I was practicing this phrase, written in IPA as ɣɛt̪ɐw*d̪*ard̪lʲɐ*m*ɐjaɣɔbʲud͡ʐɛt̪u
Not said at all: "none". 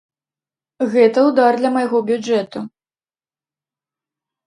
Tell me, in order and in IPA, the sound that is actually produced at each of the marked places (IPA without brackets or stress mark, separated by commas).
d̪, m